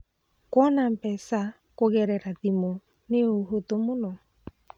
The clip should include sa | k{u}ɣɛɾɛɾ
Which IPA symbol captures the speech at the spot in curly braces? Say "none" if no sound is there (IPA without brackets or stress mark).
o